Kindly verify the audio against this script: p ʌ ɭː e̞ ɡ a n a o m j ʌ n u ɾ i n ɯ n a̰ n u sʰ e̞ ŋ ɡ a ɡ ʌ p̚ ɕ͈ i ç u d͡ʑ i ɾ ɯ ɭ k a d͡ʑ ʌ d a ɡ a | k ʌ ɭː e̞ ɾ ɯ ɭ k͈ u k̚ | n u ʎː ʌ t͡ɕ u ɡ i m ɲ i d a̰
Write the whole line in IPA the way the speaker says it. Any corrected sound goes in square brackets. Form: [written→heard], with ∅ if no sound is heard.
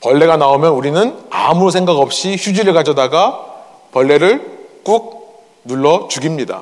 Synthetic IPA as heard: p ʌ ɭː e̞ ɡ a n a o m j ʌ n u ɾ i n ɯ n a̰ [n→m] u sʰ e̞ ŋ ɡ a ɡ ʌ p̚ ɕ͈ i ç u d͡ʑ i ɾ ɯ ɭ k a d͡ʑ ʌ d a ɡ a | [k→p] ʌ ɭː e̞ ɾ ɯ ɭ k͈ u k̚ | n u [ʎː→ɭː] ʌ t͡ɕ u ɡ i m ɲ i d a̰